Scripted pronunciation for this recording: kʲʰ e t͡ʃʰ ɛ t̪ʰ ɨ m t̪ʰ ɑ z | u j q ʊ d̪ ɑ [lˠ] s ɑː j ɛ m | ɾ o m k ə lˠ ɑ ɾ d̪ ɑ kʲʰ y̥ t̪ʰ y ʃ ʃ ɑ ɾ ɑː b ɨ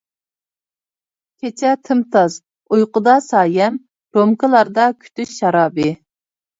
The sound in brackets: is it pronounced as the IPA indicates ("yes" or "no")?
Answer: no